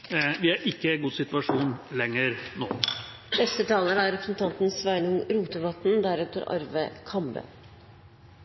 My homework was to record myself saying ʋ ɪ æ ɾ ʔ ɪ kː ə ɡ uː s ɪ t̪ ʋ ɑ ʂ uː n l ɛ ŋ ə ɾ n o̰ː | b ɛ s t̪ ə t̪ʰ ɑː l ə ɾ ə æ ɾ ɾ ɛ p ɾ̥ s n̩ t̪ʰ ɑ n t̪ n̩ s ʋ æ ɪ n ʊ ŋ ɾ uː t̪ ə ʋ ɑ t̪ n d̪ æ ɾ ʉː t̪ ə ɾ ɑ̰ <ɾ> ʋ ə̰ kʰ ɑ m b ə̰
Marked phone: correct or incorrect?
correct